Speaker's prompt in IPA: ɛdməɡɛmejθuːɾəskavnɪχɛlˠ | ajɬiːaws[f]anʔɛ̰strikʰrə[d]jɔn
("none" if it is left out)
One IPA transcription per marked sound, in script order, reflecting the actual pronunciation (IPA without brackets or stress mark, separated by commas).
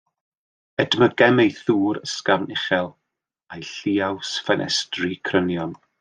f, n